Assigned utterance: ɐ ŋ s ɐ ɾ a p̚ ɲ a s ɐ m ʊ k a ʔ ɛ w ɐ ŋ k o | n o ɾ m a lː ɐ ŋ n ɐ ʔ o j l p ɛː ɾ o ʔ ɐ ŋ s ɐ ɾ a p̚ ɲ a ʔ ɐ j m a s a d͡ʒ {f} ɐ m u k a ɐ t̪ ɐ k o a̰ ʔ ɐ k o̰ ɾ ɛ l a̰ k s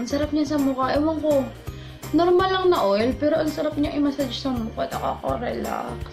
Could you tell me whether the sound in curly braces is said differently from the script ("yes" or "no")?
yes